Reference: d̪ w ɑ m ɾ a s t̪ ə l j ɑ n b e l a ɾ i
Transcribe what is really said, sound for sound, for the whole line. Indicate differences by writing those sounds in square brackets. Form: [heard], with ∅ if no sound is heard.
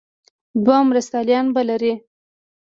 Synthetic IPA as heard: d̪ w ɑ m ɾ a s t̪ [ɑ] l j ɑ n b [a] l a ɾ i